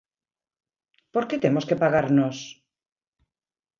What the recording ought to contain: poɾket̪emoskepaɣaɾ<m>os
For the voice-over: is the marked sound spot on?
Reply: no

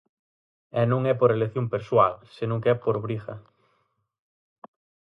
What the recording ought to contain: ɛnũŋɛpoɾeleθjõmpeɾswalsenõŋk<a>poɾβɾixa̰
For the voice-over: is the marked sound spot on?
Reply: no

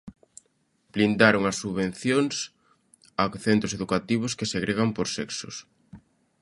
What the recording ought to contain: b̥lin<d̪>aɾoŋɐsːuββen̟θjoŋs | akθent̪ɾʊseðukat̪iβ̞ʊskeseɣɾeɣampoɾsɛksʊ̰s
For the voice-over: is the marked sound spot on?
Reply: yes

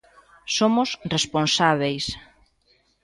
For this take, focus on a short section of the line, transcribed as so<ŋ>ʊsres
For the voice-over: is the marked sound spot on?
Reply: no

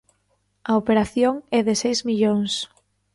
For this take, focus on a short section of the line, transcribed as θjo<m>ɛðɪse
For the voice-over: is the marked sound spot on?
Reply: no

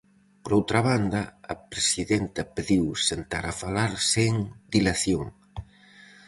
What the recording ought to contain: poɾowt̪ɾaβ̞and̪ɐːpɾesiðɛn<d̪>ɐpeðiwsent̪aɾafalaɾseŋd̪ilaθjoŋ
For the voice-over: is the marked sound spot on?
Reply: no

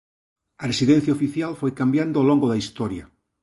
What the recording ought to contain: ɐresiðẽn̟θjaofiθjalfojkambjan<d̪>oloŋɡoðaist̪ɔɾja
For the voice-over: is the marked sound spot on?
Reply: yes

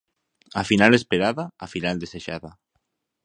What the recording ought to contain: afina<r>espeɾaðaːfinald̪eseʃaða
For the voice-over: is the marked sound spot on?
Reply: no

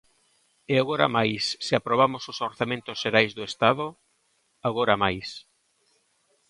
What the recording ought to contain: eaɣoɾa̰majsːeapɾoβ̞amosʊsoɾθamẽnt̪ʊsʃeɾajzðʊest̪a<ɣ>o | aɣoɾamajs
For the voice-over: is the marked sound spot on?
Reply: no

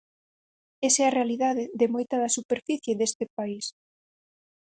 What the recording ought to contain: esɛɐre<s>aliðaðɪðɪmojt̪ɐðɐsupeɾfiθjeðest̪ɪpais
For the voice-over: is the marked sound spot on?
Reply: no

